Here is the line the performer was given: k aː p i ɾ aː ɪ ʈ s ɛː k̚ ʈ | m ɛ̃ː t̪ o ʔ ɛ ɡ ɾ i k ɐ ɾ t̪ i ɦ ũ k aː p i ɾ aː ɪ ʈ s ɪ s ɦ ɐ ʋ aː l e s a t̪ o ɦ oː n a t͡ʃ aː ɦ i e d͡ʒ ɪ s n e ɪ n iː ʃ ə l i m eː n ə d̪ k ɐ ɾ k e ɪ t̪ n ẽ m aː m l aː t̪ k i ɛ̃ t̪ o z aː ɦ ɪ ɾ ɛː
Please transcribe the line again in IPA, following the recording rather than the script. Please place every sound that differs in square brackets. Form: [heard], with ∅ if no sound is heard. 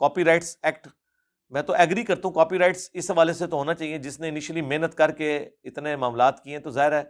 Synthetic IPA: k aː p i ɾ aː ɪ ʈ s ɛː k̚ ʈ | m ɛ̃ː t̪ o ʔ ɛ ɡ ɾ i k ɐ ɾ t̪ [a] ɦ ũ k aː p i ɾ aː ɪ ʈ s ɪ s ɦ ɐ ʋ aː l e s [e] t̪ o ɦ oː n a t͡ʃ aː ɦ i e d͡ʒ ɪ s n e ɪ n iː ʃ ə l i m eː n ə [t̪] k ɐ ɾ k e ɪ t̪ n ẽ m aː m l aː t̪ k i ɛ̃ t̪ o z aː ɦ ɪ ɾ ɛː